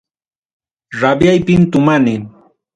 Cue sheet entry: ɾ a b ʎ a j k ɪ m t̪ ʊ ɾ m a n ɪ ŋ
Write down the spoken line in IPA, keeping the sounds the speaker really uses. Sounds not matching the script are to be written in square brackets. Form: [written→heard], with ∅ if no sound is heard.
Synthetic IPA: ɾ a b [ʎ→j] a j [k→p] ɪ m t̪ ʊ [ɾ→∅] m a n ɪ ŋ